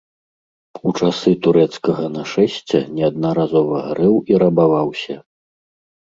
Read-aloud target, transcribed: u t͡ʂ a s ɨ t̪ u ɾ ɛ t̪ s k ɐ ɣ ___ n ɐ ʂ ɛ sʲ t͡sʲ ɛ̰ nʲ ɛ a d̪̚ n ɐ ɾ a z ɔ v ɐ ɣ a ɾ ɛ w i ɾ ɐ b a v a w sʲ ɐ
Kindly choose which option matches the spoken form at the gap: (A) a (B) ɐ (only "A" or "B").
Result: B